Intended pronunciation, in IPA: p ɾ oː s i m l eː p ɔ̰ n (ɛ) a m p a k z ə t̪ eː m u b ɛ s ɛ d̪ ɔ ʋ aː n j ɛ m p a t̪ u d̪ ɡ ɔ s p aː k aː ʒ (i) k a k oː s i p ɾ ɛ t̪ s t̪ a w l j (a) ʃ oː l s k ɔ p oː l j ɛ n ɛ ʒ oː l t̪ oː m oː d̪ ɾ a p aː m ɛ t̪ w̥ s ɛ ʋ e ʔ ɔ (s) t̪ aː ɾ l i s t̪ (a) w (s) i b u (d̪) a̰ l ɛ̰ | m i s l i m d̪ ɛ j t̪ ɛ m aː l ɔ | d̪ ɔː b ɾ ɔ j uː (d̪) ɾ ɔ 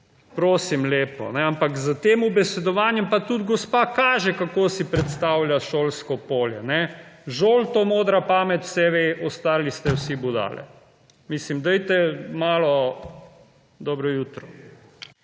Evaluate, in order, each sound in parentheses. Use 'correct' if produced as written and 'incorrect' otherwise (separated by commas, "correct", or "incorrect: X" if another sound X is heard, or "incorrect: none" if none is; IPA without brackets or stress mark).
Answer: correct, incorrect: ɛ, correct, correct, incorrect: ɛ, correct, correct, incorrect: t̪